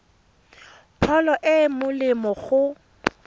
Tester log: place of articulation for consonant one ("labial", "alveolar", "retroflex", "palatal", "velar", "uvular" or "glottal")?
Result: labial